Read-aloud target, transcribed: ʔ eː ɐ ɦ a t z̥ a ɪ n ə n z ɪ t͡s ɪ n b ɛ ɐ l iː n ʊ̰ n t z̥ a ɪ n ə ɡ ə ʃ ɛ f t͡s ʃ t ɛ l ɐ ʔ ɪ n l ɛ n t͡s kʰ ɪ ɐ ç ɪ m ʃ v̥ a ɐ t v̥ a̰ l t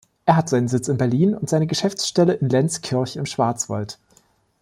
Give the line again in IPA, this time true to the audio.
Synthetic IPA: ʔ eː ɐ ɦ a t z̥ a ɪ n ə n z ɪ t͡s ɪ n b ɛ ɐ l iː n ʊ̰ n t z̥ a ɪ n ə ɡ ə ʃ ɛ f t͡s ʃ t ɛ l ə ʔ ɪ n l ɛ n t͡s kʰ ɪ ɐ ç ɪ m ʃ v̥ a ɐ t͡s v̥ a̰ l t